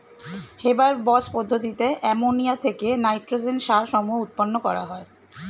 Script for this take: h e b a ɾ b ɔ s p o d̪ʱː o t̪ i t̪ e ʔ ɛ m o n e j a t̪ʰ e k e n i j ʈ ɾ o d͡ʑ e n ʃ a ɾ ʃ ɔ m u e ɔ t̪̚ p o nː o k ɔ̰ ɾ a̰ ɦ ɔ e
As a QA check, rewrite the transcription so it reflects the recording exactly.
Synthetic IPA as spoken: h e b a ɾ b ɔ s p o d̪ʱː o t̪ i t̪ e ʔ ɛ m o n i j a t̪ʰ e k e n a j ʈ ɾ o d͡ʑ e n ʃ a ɾ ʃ ɔ m u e u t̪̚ p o nː o k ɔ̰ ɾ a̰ ɦ ɔ e

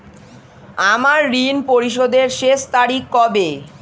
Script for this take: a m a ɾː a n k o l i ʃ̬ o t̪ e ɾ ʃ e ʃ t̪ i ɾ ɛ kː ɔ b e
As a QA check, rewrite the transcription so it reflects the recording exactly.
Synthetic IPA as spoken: a m a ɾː i n p o ɾ i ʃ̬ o d̪ e ɾ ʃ e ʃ t̪ a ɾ i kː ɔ b e

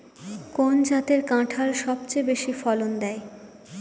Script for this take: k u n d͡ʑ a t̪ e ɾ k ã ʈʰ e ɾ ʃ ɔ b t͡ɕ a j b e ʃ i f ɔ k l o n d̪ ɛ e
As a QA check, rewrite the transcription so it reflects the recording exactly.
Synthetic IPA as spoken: k o n d͡ʑ a t̪ e ɾ k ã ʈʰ a ɾ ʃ ɔ b t͡ɕ e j b e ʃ i f ɔ l o n d̪ ɛ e

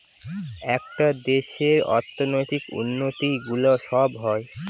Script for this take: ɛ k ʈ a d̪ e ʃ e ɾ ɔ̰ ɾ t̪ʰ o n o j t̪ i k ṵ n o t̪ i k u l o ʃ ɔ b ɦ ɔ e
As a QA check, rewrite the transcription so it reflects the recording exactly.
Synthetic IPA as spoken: ɛ k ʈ a d̪ e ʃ e ɾ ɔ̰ ɾ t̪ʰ o n o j t̪ i k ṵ nː o t̪ i ɡ u l o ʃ ɔ b ɦ ɔ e

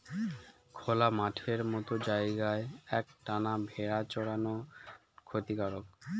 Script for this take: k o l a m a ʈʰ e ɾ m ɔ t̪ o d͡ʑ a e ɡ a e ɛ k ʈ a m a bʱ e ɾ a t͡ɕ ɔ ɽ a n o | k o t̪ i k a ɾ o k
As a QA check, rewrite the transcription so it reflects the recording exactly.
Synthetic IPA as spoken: kʰ o l a m a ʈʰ e ɾ m ɔ t̪ o d͡ʑ a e ɡ a e ɛ k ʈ a n a bʱ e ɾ a t͡ɕ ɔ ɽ a n o | kʰ o t̪ i k a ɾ o k

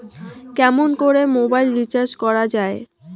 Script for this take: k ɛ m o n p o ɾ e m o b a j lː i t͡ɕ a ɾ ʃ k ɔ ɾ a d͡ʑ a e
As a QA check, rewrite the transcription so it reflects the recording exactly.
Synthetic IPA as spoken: k ɛ m o n k o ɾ e m o b a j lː i t͡ɕ a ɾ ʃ k ɔ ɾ a d͡ʑ a e

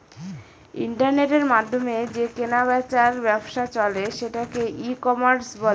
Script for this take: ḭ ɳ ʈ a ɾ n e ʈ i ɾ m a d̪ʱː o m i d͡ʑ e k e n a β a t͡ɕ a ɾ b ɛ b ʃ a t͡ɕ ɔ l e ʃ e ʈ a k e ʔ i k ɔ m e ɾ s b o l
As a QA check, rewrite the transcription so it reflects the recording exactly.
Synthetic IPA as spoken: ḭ ɳ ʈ a ɾ n e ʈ e ɾ m a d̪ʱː o m e d͡ʑ e k e n a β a t͡ɕ a ɾ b ɛ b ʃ a t͡ɕ ɔ l e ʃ e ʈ a k e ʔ i k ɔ m a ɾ s b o l

